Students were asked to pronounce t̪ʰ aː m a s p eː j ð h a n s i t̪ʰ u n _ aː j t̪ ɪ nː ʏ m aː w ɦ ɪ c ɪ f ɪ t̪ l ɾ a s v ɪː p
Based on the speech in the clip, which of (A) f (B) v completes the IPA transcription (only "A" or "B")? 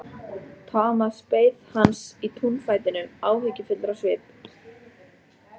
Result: A